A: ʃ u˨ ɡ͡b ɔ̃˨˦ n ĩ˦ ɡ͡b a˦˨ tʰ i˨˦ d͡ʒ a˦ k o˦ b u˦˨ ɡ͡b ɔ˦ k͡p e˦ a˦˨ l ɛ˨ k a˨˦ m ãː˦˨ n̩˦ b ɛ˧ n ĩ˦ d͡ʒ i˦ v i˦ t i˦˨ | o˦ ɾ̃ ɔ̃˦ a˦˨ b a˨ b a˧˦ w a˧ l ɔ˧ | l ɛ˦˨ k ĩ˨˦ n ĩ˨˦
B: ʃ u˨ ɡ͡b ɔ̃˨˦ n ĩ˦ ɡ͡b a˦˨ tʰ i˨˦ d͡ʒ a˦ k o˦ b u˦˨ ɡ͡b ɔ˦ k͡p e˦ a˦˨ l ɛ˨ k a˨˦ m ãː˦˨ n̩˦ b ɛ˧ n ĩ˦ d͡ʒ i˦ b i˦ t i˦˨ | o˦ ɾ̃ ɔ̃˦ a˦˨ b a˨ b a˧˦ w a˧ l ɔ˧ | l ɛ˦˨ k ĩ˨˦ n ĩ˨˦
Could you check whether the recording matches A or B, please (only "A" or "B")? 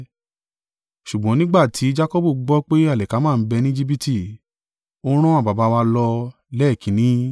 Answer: B